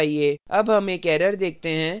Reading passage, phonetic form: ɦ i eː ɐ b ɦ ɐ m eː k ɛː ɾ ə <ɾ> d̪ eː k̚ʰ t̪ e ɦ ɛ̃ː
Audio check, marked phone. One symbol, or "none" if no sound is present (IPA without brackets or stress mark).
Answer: ɾ